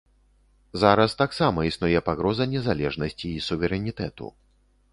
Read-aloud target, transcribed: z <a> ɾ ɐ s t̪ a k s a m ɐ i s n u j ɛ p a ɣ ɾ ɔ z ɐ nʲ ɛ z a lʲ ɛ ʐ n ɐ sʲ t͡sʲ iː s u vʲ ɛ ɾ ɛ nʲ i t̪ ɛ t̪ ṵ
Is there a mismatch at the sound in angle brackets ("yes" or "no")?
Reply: no